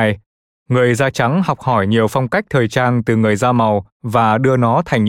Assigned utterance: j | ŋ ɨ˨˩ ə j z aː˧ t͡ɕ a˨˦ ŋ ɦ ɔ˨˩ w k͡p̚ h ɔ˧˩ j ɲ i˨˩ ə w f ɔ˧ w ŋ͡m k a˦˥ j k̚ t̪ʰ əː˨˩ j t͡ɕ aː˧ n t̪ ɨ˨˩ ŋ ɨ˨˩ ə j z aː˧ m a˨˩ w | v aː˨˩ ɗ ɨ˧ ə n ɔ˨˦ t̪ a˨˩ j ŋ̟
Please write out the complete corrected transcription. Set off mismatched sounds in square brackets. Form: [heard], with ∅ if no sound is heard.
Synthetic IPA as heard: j | ŋ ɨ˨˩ ə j z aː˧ t͡ɕ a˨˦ ŋ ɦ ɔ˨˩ w k͡p̚ h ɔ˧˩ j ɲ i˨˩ ə w f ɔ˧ w ŋ͡m k a˦˥ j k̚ t̪ʰ əː˨˩ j t͡ɕ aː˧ n t̪ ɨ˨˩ ŋ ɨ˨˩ ə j z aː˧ m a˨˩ w | v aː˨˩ ɗ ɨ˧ ə n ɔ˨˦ [t̪ʰ] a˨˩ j ŋ̟